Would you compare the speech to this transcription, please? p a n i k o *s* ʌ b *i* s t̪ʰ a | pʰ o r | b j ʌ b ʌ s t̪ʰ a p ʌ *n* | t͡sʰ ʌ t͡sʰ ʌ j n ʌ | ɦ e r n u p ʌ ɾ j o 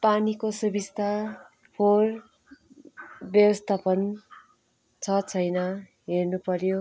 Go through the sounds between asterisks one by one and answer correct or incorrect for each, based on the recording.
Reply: correct, correct, correct

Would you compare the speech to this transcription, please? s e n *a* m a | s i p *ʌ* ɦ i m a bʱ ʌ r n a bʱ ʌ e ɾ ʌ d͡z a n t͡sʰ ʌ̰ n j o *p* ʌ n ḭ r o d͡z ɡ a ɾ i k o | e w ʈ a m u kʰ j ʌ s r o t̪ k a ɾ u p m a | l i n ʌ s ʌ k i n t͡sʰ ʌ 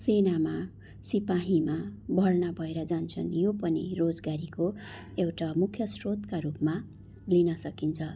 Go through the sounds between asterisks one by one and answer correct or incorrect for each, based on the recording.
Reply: correct, incorrect: a, correct

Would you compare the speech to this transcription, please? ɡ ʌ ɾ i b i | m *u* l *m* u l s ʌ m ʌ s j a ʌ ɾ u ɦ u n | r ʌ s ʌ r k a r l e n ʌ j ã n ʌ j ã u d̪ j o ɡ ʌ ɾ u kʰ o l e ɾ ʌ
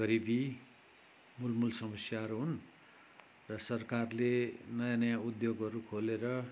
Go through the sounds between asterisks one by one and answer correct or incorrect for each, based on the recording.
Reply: correct, correct

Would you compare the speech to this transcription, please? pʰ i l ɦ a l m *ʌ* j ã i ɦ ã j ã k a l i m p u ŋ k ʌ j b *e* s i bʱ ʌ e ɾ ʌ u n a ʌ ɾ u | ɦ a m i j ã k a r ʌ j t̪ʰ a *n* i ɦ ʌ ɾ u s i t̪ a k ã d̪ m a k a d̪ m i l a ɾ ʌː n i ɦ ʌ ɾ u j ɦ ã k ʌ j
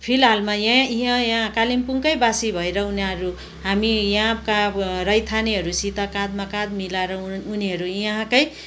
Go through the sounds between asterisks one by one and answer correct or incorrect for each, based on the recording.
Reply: incorrect: a, incorrect: a, correct

